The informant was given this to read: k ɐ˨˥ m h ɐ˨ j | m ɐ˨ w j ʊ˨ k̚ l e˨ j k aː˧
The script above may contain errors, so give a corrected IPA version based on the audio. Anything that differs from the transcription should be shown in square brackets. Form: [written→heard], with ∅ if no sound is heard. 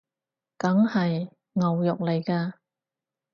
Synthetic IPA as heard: k ɐ˨˥ [m→ŋ] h ɐ˨ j | [m→ŋ] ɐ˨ w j ʊ˨ k̚ l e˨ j k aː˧